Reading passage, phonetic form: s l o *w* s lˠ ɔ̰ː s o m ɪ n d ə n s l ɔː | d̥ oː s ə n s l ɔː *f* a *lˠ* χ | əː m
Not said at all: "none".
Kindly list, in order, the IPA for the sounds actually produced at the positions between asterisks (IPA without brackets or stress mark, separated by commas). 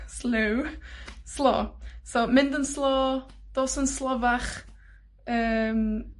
w, v, none